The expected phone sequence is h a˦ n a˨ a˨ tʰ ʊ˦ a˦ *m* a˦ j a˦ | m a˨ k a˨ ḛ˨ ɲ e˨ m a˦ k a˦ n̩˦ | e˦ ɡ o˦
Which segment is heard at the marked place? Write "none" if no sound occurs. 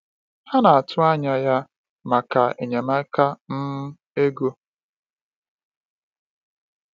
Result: ɲ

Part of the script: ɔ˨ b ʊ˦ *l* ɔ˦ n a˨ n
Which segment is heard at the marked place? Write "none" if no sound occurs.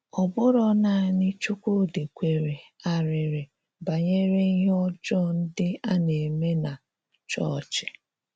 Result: ɾ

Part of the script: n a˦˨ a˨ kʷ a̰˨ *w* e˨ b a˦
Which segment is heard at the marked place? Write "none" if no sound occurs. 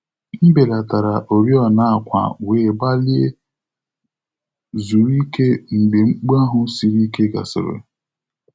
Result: w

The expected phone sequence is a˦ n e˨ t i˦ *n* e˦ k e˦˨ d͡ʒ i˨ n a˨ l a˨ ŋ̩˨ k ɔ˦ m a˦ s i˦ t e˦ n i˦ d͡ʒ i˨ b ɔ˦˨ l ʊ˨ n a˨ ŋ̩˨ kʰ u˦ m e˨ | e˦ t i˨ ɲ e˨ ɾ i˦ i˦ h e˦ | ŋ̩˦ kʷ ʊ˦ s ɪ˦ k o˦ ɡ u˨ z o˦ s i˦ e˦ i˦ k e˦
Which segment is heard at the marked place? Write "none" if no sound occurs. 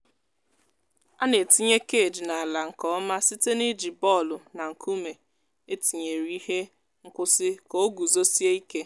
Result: ɲ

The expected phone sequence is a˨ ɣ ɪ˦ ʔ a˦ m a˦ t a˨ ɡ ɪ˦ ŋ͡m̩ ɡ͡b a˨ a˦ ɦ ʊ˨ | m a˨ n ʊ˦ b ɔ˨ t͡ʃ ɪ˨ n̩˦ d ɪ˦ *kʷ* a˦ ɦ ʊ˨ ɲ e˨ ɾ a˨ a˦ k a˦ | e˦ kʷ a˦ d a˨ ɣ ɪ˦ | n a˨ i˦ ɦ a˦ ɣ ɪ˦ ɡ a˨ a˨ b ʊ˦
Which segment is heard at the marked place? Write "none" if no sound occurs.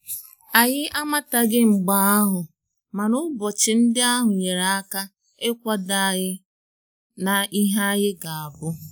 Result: none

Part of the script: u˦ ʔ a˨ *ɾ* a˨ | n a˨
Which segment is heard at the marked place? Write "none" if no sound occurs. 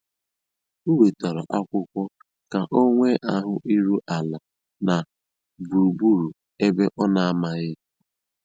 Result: l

